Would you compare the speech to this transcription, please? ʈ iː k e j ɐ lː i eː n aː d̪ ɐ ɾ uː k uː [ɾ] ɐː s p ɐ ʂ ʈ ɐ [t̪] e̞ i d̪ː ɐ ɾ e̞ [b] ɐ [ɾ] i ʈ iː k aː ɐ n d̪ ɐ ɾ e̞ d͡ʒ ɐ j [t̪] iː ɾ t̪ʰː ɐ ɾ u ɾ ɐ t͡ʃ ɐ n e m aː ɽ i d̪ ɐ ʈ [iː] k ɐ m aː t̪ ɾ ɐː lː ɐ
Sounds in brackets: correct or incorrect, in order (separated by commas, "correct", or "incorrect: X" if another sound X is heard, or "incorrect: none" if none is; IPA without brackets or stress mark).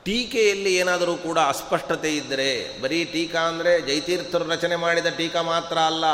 incorrect: ɽ, correct, correct, correct, correct, correct